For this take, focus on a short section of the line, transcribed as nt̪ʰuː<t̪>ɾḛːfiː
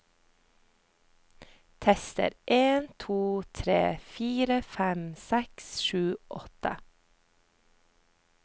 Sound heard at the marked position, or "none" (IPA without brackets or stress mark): t̪ʰ